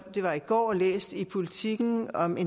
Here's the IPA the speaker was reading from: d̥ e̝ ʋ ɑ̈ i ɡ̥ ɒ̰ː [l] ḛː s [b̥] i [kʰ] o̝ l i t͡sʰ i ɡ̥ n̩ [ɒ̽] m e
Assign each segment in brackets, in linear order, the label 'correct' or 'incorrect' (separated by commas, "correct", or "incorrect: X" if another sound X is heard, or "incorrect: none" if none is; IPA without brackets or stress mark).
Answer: correct, incorrect: d̥, incorrect: pʰ, correct